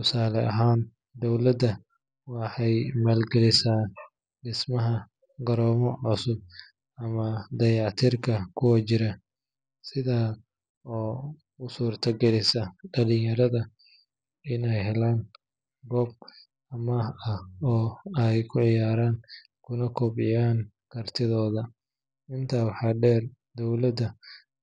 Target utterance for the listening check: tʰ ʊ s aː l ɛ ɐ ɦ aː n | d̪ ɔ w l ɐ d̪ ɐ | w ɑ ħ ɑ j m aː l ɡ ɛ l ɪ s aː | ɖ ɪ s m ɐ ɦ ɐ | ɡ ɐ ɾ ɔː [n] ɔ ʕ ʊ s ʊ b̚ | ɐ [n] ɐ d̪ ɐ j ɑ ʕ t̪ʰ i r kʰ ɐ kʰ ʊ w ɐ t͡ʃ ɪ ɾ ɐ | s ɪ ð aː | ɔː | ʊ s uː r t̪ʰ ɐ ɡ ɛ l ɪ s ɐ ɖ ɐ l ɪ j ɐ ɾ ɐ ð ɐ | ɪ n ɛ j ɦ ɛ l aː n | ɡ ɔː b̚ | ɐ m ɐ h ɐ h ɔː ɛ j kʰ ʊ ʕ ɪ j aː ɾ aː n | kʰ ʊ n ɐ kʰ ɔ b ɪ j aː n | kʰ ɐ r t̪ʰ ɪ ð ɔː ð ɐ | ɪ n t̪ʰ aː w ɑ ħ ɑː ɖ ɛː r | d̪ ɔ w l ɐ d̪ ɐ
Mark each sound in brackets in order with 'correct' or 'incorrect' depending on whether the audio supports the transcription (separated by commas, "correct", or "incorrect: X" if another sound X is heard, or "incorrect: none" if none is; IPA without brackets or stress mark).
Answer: incorrect: m, incorrect: m